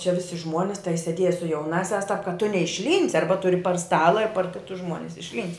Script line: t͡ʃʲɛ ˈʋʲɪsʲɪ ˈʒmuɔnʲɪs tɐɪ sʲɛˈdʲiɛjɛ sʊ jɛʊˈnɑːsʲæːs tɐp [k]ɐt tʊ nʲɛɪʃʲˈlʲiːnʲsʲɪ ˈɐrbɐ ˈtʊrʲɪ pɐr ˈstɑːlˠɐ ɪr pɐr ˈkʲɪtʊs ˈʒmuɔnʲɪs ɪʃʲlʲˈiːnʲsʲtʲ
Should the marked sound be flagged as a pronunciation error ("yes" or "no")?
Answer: no